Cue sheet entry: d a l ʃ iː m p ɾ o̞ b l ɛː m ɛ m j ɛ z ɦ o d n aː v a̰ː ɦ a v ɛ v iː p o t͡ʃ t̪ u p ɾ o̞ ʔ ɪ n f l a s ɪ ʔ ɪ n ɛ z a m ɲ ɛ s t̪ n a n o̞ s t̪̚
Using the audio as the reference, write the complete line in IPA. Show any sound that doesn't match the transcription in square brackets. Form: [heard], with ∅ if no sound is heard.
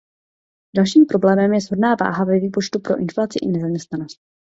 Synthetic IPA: d a l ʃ iː m p ɾ o̞ b l ɛː m ɛ m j ɛ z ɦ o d n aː v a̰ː ɦ a v ɛ v iː p o t͡ʃ t̪ u p ɾ o̞ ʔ ɪ n f l a [t͡s] ɪ ʔ ɪ n ɛ z a m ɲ ɛ s t̪ n a n o̞ s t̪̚